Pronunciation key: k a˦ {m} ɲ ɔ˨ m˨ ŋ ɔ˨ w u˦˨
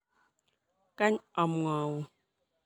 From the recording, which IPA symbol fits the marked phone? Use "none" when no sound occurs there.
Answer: none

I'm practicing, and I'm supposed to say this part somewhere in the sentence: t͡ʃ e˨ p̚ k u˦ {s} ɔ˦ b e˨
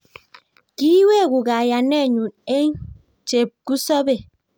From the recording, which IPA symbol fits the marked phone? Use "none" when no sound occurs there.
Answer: s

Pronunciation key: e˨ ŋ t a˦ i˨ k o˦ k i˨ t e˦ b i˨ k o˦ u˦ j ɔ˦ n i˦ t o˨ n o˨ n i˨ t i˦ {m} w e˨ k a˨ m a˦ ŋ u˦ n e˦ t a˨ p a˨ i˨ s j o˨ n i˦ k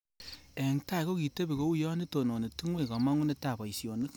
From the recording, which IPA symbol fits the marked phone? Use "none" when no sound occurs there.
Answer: ŋ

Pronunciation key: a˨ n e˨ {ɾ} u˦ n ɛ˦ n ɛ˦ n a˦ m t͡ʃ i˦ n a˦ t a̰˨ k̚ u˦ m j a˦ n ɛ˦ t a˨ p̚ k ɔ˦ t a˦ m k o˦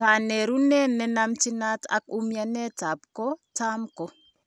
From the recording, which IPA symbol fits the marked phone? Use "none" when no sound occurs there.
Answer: ɾ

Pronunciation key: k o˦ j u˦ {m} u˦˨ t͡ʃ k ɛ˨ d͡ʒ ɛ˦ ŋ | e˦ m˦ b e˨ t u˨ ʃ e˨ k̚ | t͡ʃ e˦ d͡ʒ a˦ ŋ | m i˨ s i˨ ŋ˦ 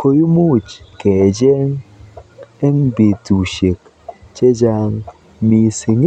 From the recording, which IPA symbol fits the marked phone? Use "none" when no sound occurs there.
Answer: m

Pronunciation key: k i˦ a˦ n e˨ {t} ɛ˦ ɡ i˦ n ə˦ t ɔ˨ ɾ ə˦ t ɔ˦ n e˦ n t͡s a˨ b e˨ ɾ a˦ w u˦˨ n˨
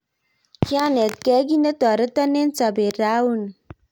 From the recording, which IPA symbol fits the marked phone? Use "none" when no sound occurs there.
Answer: k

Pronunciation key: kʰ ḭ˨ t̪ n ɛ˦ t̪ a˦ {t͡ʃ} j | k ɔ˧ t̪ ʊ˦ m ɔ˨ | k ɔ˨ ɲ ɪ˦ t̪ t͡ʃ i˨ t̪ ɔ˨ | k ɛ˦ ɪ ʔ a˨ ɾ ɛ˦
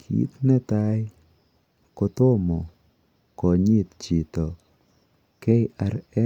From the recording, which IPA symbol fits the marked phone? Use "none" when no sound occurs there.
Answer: none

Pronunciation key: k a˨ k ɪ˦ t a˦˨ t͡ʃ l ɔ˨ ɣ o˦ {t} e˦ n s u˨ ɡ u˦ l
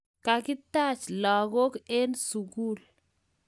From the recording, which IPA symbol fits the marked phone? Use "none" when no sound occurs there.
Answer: k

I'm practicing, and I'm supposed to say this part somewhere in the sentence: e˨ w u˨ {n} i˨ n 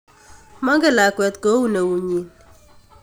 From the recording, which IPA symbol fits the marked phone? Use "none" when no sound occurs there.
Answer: ɲ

